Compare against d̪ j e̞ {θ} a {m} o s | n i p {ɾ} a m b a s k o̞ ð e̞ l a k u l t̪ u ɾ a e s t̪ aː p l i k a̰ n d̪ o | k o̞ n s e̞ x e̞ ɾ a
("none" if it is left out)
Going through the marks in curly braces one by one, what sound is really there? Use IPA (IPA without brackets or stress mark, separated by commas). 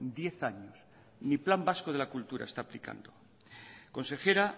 θ, ɲ, l